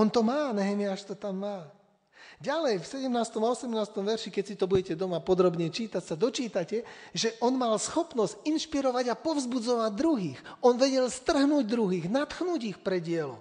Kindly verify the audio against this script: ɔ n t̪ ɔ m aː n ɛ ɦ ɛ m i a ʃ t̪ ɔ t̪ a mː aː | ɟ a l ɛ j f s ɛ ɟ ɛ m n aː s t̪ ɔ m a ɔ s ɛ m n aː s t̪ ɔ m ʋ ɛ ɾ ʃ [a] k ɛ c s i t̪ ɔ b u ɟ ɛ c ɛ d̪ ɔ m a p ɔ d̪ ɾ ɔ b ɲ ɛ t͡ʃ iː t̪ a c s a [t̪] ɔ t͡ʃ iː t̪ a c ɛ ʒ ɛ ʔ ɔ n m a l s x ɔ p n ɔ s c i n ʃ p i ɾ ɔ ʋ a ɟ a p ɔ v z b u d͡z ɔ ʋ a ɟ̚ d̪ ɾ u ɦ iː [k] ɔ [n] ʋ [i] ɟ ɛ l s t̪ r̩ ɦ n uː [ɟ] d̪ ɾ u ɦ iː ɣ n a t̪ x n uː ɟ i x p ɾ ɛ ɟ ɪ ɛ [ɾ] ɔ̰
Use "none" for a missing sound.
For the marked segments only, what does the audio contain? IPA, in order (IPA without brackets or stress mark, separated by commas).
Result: i, d̪, x, n, ɛ, ɟ, l